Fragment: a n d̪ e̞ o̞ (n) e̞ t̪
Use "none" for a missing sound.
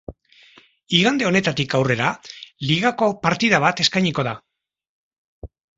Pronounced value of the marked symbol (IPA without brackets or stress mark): n